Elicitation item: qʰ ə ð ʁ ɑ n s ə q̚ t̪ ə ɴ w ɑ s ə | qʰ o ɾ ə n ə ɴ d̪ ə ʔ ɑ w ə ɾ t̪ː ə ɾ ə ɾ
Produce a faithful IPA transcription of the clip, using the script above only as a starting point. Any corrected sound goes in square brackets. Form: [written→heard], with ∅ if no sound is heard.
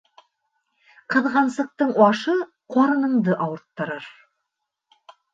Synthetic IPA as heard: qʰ ə ð ʁ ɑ n s ə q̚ t̪ ə ɴ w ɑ [s→ʃ] ə | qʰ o ɾ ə n ə [ɴ→m] d̪ ə ʔ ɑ w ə ɾ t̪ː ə ɾ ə ɾ